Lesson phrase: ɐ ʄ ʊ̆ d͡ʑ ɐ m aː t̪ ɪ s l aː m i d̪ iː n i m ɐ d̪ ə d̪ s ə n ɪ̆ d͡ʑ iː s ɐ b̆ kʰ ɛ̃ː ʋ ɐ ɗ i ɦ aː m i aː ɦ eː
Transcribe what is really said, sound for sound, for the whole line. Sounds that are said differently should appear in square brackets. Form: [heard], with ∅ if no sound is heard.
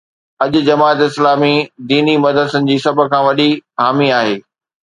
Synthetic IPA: ɐ ʄ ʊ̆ d͡ʑ ɐ m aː t̪ ɪ s l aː m i d̪ iː n i m ɐ d̪ ə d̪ s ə n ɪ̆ d͡ʑ iː s ɐ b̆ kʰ [ãː] ʋ ɐ ɗ i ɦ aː m i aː ɦ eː